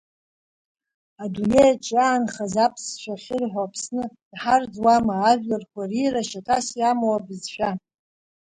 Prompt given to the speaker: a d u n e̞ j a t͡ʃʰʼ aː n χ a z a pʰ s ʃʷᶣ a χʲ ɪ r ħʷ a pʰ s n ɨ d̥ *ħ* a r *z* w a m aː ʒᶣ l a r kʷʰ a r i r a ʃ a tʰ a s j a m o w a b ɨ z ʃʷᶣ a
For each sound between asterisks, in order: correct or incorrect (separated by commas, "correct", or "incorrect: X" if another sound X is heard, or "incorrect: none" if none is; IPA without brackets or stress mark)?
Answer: correct, incorrect: d͡z